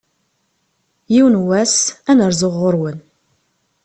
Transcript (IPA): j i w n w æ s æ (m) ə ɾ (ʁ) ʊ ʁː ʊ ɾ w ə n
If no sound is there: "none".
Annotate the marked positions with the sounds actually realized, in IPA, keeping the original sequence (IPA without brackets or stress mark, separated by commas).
n, z